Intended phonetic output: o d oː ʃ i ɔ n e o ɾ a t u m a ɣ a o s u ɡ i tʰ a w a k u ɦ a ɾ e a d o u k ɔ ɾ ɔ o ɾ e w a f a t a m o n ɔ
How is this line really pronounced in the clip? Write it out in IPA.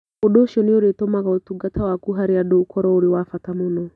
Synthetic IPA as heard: o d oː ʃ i ɔ n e o ɾ e t o m a ɣ a o t u ɡ a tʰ a w a k u ɦ a ɾ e a d o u k ɔ ɾ ɔ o ɾ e w a f a t a m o n ɔ